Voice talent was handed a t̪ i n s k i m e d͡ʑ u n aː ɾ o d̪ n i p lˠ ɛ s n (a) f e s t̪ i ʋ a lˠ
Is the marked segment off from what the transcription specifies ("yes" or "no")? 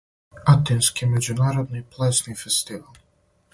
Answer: yes